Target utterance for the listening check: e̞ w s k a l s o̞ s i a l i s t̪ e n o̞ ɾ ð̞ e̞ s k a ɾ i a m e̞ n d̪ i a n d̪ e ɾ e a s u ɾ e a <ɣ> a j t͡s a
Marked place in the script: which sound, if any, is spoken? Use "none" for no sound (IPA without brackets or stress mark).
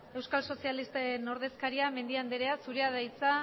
ð